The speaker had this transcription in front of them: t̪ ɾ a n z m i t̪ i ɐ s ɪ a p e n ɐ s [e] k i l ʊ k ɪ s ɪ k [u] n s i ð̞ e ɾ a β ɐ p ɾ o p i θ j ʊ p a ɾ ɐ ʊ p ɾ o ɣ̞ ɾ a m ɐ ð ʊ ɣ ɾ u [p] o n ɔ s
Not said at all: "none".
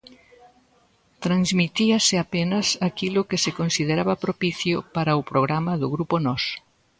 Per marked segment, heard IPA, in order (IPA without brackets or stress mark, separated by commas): a, o, p